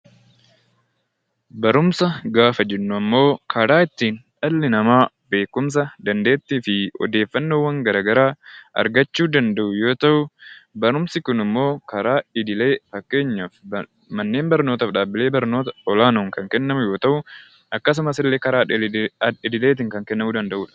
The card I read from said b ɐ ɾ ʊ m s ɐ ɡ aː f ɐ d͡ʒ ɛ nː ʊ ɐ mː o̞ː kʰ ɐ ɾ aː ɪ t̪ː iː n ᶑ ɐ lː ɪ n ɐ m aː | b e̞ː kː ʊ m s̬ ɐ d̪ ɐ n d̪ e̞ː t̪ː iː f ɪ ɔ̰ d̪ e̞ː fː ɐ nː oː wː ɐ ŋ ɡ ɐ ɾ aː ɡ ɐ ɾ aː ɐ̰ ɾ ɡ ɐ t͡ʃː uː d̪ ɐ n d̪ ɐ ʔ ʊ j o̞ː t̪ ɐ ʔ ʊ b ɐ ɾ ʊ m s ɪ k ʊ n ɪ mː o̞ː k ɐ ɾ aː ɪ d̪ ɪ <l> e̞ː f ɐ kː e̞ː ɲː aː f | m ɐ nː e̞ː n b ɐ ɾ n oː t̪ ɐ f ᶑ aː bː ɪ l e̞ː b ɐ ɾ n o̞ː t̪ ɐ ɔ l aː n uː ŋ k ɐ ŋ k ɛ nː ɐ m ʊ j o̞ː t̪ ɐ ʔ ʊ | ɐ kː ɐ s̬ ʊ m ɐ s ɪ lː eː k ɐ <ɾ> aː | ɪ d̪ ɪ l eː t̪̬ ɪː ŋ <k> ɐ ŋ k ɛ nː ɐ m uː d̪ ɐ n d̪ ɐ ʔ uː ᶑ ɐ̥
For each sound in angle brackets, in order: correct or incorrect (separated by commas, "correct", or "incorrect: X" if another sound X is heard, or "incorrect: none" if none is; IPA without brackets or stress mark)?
correct, correct, correct